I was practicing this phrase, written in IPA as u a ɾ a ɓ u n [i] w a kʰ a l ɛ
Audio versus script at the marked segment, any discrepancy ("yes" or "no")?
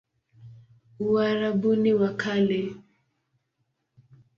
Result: no